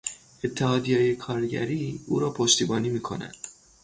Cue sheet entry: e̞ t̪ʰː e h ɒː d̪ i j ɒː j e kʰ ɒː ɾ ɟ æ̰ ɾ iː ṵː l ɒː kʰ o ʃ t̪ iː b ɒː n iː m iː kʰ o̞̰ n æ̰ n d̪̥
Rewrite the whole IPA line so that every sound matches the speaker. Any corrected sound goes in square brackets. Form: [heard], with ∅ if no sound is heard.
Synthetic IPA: e̞ t̪ʰː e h ɒː d̪ i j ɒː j e kʰ ɒː ɾ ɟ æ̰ ɾ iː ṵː [ɾ] ɒː [pʰ] o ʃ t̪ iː b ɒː n iː m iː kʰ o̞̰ n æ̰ n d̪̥